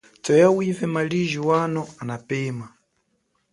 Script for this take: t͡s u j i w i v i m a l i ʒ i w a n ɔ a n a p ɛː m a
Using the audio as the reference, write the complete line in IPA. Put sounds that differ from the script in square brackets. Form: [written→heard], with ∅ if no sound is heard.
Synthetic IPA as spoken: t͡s [u→ɔ] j [i→a] w i v [i→ɛ] m a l i ʒ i w a n ɔ a n a p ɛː m a